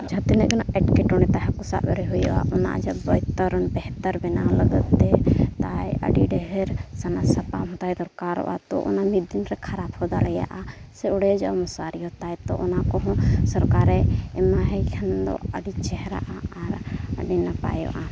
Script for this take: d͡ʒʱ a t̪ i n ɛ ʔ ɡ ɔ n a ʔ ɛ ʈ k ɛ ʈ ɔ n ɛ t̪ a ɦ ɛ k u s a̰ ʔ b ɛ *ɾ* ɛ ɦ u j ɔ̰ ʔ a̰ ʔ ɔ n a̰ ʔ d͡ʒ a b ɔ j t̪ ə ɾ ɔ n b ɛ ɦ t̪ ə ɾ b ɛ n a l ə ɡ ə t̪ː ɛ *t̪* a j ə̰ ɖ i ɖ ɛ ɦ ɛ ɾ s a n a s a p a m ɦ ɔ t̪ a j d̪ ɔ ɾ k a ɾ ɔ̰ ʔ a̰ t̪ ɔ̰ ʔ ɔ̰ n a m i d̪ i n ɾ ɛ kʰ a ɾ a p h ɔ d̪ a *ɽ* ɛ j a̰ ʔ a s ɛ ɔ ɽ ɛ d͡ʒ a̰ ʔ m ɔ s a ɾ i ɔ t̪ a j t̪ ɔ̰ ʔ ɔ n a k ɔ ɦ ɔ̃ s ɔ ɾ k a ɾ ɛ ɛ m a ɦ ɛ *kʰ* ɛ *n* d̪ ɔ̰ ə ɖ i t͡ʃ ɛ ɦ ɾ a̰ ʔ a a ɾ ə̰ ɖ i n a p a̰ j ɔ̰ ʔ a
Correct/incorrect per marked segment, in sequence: correct, correct, incorrect: l, correct, correct

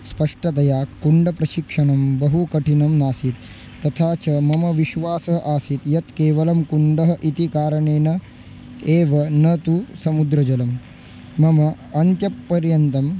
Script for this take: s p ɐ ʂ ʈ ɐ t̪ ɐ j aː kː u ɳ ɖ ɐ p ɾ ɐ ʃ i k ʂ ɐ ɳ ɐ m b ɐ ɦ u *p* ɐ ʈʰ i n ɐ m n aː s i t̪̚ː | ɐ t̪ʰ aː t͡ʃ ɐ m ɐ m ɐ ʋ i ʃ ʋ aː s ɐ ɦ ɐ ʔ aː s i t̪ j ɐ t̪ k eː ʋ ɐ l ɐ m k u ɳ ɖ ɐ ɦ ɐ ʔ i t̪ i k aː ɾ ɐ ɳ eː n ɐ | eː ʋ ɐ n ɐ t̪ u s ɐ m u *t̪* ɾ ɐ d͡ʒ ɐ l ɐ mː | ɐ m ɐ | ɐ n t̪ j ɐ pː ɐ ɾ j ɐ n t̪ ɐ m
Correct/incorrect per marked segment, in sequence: incorrect: k, incorrect: d̪

